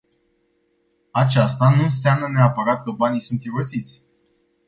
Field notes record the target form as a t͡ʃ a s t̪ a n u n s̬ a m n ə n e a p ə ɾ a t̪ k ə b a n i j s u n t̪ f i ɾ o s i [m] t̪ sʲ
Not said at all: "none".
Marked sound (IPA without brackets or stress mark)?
none